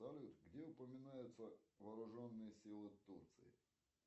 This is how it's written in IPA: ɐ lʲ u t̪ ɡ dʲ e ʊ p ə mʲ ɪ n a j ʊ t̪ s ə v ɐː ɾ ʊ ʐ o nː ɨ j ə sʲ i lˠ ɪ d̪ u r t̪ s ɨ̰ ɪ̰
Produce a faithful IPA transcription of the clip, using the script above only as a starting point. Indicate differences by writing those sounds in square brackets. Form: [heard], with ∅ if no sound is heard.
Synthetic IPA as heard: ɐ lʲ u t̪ ɡ dʲ e ʊ p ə mʲ ɪ n a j ʊ t̪ s ə v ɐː ɾ ʊ ʐ o nː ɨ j ə sʲ i lˠ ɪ [t̪] u r t̪ s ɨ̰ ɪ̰

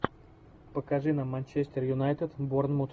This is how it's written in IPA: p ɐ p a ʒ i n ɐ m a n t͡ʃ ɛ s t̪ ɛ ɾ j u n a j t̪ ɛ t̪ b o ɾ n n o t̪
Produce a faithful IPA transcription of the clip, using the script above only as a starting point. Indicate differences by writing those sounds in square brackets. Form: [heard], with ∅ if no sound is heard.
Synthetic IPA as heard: p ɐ [k] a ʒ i n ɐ m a n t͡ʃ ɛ s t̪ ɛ ɾ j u n a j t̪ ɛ t̪ b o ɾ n [m] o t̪

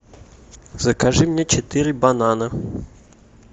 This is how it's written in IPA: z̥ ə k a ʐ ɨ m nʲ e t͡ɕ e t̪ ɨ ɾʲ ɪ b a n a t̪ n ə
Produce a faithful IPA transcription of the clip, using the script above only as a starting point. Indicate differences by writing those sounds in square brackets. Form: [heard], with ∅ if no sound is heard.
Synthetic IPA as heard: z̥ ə k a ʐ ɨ m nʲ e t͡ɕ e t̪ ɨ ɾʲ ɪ b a n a [∅] n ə

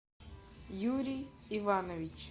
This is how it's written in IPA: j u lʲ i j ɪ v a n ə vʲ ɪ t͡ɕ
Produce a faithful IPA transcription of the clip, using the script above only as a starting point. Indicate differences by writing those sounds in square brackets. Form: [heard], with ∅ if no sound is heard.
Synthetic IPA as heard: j u [ɾʲ] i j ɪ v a n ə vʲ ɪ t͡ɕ

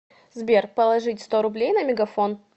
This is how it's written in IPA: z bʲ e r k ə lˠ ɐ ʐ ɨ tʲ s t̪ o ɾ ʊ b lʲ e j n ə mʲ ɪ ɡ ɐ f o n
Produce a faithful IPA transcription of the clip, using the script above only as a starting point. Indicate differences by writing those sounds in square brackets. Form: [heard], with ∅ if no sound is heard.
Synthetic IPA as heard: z bʲ e r [p] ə lˠ ɐ ʐ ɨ tʲ s t̪ o ɾ ʊ b lʲ e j n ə mʲ ɪ ɡ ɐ f o n

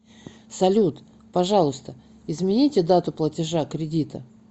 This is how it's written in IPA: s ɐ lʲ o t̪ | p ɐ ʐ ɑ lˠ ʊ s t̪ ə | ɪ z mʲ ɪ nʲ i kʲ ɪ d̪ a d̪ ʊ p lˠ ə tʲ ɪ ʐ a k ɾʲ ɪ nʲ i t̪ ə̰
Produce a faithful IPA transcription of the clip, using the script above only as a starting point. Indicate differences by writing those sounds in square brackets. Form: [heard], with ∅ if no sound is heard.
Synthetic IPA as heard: s ɐ lʲ [u] t̪ | p ɐ ʐ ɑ lˠ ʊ s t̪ ə | ɪ z mʲ ɪ nʲ i [tʲ] ɪ d̪ a [t̪] ʊ p lˠ ə tʲ ɪ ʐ a k ɾʲ ɪ [dʲ] i t̪ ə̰

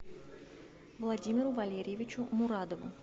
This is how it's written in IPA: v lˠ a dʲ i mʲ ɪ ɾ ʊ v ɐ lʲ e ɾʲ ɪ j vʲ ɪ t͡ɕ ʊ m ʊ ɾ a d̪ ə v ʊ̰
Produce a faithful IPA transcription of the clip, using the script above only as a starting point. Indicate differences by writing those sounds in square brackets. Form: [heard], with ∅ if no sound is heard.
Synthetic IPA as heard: v lˠ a dʲ i mʲ ɪ ɾ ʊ v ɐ lʲ e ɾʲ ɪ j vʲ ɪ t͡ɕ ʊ m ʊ ɾ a d̪ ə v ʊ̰

